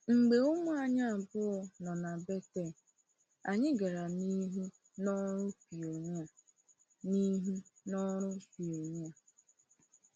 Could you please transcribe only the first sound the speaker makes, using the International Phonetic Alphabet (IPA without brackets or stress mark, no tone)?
ŋ͡m̩